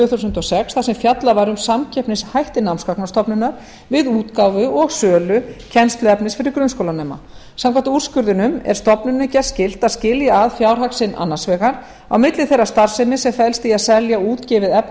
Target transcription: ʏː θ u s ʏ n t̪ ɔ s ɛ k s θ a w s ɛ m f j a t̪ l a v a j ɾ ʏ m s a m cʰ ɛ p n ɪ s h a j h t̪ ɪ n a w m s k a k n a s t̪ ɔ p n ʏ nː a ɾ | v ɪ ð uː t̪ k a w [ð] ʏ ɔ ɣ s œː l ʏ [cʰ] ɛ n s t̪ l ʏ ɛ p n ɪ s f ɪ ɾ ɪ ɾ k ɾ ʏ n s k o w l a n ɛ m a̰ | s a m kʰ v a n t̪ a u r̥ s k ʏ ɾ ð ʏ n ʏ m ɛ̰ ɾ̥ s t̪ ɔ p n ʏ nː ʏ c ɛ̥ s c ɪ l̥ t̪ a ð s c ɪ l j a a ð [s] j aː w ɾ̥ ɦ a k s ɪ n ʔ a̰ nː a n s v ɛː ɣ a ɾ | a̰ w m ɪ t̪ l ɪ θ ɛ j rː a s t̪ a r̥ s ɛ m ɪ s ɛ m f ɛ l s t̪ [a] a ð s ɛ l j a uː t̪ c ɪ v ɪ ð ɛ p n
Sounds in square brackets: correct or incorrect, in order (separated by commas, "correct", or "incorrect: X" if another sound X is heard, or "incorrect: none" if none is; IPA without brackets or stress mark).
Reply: incorrect: v, correct, incorrect: f, incorrect: i